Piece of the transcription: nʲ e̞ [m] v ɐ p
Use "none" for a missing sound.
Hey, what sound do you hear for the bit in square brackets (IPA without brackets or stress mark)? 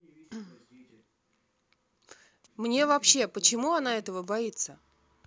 none